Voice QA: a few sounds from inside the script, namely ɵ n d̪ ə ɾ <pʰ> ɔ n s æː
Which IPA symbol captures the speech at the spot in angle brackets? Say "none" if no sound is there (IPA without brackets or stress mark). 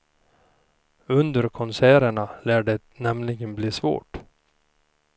kʰ